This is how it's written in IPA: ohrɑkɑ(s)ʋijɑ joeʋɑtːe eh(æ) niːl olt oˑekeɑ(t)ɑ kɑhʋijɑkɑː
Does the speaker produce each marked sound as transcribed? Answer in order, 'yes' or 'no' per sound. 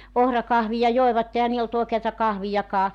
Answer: no, yes, yes

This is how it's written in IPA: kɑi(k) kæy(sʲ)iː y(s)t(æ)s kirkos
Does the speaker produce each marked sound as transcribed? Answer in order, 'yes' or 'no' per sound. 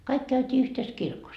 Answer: yes, no, no, no

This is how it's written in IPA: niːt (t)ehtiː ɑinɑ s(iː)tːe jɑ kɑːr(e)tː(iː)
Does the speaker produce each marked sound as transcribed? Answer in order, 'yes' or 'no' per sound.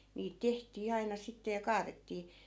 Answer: yes, no, yes, yes

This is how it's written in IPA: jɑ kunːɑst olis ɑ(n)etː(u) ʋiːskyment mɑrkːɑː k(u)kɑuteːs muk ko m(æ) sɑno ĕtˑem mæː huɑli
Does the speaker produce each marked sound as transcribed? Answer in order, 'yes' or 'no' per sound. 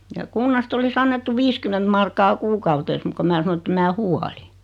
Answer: no, yes, no, no

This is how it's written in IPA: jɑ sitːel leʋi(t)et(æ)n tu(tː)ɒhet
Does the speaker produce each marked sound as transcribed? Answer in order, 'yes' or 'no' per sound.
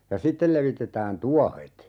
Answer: yes, no, no

